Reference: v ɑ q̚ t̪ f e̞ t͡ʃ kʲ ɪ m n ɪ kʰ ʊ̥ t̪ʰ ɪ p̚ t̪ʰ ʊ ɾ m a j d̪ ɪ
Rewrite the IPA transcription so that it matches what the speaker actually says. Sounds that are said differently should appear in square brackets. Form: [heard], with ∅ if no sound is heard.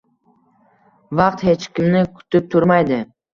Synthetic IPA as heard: v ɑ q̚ t̪ [h] e̞ t͡ʃ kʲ ɪ m n ɪ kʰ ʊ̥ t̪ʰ ɪ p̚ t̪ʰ ʊ ɾ m a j d̪ ɪ